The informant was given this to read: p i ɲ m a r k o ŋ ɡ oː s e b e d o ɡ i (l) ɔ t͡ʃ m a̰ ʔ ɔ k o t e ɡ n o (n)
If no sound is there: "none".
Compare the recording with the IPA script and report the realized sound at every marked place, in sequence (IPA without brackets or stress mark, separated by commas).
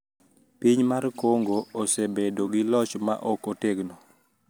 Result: l, none